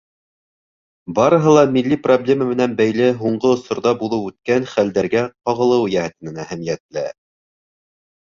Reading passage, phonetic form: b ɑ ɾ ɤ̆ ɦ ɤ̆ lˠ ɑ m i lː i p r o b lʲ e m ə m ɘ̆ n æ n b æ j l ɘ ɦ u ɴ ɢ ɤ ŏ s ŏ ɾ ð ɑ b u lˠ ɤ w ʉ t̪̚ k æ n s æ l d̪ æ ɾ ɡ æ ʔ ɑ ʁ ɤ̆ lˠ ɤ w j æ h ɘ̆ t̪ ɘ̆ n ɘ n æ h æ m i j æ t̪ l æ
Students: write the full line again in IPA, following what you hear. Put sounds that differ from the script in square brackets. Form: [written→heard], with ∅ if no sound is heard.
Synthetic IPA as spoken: b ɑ ɾ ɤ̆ ɦ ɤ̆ lˠ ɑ m i lː i p r o b lʲ e m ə m ɘ̆ n æ n b æ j l ɘ ɦ u ɴ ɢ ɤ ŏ s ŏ ɾ ð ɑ b u lˠ ɤ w ʉ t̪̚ k æ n [s→χ] æ l d̪ æ ɾ ɡ æ [ʔ→q] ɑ ʁ ɤ̆ lˠ ɤ w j æ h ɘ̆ t̪ ɘ̆ n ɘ n æ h æ m i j æ t̪ l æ